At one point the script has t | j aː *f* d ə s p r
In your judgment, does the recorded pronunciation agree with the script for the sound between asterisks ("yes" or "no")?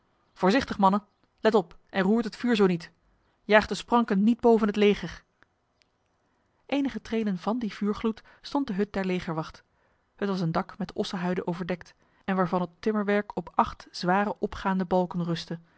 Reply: no